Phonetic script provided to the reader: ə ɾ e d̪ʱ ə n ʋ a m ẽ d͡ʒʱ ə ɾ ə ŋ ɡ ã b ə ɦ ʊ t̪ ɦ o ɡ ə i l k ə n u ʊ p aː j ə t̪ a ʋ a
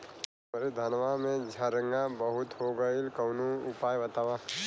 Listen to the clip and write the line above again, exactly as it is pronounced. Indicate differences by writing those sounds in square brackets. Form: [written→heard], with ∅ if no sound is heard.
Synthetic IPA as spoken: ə ɾ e d̪ʱ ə n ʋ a m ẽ d͡ʒʱ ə ɾ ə ŋ ɡ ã b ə ɦ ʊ t̪ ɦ o ɡ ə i l k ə n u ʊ p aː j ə t̪ a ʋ a